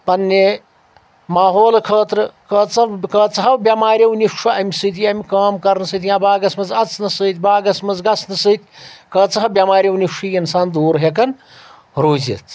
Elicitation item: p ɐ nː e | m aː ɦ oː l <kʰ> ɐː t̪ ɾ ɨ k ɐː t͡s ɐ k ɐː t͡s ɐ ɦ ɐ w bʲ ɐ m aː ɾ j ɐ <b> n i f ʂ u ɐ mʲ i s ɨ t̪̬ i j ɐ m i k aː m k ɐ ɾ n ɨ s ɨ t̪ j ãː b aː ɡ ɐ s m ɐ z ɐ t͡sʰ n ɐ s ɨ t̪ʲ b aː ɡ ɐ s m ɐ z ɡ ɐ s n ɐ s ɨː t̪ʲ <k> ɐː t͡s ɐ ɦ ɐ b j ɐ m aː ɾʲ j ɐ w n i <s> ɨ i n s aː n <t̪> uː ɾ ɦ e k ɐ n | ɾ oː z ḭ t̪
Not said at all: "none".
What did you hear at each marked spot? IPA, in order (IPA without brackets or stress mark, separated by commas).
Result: kʰ, w, k, ʂ, d̪